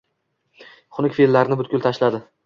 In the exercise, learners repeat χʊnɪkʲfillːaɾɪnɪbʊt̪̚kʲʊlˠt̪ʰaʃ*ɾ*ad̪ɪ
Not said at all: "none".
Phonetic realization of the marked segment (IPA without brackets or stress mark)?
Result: l